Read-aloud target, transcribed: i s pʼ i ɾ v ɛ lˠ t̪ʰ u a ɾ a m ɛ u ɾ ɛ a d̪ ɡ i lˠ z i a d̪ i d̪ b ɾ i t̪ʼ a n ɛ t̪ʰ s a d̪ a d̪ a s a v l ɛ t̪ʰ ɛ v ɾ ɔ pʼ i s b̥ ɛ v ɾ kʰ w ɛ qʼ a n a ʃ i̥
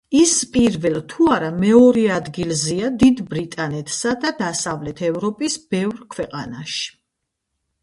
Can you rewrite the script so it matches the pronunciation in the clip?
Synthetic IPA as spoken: i s pʼ i ɾ v ɛ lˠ t̪ʰ u a ɾ a m ɛ ɔ ɾ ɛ a d̪ ɡ i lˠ z i a d̪ i d̪ b ɾ i t̪ʼ a n ɛ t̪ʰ s a d̪ a d̪ a s a v l ɛ t̪ʰ ɛ v ɾ ɔ pʼ i s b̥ ɛ v ɾ kʰ w ɛ qʼ a n a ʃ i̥

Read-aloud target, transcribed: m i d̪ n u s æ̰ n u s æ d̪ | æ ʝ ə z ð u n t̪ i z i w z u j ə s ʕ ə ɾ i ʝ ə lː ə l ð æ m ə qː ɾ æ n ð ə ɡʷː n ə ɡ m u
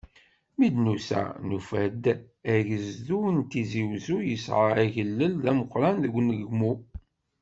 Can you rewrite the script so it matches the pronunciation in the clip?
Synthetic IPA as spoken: m i d̪ n u s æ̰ n u f æ d̪ | æ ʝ ə z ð u n t̪ i z i w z u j ə s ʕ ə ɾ æ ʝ ə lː ə l ð æ m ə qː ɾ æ n ð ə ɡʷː n ə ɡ m u

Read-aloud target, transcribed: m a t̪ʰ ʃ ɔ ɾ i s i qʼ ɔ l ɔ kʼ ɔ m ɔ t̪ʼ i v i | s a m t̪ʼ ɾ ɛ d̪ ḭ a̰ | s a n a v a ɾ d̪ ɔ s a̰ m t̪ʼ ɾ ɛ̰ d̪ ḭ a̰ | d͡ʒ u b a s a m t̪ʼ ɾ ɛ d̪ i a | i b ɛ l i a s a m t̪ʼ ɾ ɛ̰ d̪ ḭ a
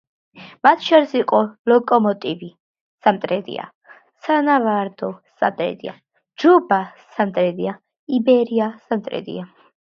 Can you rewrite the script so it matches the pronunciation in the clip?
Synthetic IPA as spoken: m a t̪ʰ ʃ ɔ ɾ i s i qʼ ɔ l ɔ kʼ ɔ m ɔ t̪ʼ i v i | s a m t̪ʼ ɾ ɛ d̪ ḭ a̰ | s a n a v a ɾ d̪ ɔ s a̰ m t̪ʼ ɾ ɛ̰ d̪ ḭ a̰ | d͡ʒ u b a s a m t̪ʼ ɾ ɛ d̪ i a | i b ɛ ɾ i a s a m t̪ʼ ɾ ɛ̰ d̪ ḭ a

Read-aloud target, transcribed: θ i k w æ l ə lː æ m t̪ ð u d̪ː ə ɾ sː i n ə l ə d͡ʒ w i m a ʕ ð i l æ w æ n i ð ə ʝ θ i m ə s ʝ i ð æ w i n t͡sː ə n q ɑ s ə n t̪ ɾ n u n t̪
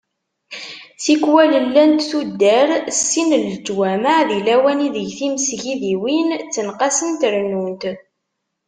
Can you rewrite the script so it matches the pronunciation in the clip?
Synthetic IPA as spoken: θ i k w æ l ə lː æ n t̪ θ u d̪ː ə ɾ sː i n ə l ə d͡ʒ w æ m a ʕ ð i l æ w æ n i ð ə ʝ θ i m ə s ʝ i ð i w i n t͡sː ə n q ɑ s ə n t̪ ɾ n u n t̪

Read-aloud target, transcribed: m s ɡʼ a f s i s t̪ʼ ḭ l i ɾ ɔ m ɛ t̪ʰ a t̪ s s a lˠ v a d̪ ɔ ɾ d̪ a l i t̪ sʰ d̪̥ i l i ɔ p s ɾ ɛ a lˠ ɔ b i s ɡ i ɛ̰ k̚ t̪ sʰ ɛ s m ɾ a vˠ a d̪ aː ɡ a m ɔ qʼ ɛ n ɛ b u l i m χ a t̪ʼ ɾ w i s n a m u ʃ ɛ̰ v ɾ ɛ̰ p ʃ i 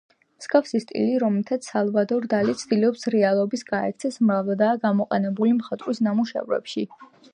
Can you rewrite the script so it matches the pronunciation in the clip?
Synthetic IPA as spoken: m s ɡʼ a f s i s t̪ʼ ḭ l i ɾ ɔ m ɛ t̪ʰ a t̪ s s a lˠ v a d̪ ɔ ɾ d̪ a l i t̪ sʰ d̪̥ i l i ɔ p s ɾ ɛ a lˠ ɔ b i s ɡ a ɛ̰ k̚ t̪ sʰ ɛ s m ɾ a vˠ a d̪ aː ɡ a m ɔ qʼ ɛ n ɛ b u l i m χ a t̪ʼ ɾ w i s n a m u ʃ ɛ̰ v ɾ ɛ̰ p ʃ i

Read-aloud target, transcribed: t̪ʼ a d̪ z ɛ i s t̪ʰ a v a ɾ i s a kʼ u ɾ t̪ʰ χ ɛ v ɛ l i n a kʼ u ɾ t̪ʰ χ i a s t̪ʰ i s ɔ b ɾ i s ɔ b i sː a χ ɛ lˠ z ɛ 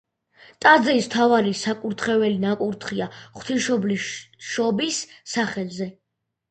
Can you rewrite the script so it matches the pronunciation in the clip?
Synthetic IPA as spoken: t̪ʼ a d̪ z ɛ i s t̪ʰ a v a ɾ i s a kʼ u ɾ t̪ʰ χ ɛ v ɛ l i n a kʼ u ɾ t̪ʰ χ i a χ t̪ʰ i ʃ ɔ b l i ʃ ɔ b i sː a χ ɛ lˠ z ɛ

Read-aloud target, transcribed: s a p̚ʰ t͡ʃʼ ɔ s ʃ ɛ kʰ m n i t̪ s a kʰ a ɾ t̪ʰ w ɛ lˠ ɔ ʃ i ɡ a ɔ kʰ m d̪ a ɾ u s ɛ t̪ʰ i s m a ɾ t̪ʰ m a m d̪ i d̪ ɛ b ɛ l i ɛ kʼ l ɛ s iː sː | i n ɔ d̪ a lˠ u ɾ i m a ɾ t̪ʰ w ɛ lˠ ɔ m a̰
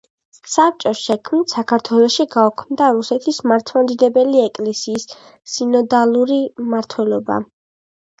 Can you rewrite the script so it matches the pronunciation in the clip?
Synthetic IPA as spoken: s a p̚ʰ t͡ʃʼ ɔ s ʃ ɛ kʰ m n i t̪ s a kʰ a ɾ t̪ʰ w ɛ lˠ ɔ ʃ i ɡ a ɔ kʰ m d̪ a ɾ u s ɛ t̪ʰ i s m a ɾ t̪ʰ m a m d̪ i d̪ ɛ b ɛ l i ɛ kʼ l ɛ s iː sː | i n ɔ d̪ a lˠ u ɾ i m a ɾ t̪ʰ w ɛ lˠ ɔ b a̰

